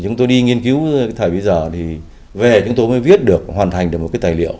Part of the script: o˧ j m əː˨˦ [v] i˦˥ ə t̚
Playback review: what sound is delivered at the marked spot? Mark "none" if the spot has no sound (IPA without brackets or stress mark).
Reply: v